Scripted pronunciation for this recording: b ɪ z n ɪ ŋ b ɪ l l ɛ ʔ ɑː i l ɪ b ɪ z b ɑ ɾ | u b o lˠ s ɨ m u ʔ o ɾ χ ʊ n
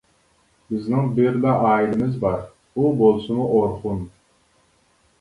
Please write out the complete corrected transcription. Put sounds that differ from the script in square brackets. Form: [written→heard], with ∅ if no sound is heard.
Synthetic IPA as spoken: b ɪ z n ɪ ŋ b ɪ [l→ɾ] l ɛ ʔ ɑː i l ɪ [b→m] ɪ z b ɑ ɾ | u b o lˠ s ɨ m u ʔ o ɾ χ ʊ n